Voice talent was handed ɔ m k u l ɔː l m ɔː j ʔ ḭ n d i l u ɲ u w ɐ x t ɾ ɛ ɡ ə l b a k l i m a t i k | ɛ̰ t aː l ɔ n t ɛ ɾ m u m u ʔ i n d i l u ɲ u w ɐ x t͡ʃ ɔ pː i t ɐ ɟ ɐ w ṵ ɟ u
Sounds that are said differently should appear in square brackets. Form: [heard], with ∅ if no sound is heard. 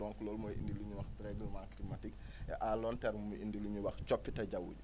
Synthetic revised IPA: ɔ [ŋ] k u l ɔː l m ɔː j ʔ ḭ n d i l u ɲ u w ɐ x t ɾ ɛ ɡ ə l [m] a k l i m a t i k | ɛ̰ [ʔ] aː l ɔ n t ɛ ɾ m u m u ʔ i n d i l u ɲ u w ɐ x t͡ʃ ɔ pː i t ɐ ɟ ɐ w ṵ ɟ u